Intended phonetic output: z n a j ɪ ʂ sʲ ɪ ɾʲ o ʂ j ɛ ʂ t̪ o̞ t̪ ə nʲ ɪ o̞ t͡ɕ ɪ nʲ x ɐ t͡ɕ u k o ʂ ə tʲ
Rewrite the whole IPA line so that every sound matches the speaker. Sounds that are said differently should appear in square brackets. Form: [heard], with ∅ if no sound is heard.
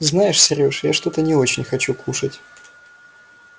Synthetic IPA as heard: z n a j ɪ ʂ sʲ ɪ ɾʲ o ʂ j [a] ʂ t̪ o̞ t̪ ə nʲ ɪ o̞ t͡ɕ ɪ nʲ x ɐ t͡ɕ u k [u] ʂ ə tʲ